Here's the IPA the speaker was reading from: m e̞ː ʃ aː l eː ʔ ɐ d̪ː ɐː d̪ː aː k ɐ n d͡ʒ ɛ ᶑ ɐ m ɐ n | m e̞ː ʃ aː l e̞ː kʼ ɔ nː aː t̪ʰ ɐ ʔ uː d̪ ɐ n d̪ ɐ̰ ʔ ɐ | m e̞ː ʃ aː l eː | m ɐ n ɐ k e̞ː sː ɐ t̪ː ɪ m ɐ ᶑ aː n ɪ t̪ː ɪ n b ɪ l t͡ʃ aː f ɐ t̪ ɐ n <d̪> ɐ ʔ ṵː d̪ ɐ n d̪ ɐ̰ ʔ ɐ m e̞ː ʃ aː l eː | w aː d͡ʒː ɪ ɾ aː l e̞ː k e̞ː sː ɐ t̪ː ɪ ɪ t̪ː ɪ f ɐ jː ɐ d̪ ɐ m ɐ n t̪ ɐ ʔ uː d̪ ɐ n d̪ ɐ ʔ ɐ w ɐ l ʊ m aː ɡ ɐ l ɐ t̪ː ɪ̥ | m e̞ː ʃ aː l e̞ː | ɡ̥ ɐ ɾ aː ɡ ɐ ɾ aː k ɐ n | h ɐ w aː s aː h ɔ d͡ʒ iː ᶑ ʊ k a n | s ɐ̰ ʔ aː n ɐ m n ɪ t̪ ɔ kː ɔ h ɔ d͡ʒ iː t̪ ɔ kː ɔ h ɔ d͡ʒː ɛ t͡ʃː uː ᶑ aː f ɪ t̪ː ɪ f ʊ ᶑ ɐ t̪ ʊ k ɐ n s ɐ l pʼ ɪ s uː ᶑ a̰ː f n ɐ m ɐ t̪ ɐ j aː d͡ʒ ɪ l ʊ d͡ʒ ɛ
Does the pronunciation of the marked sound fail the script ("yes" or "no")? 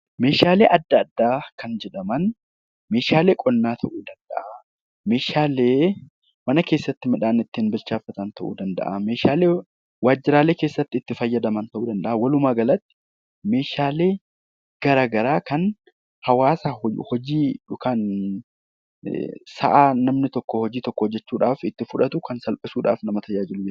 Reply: yes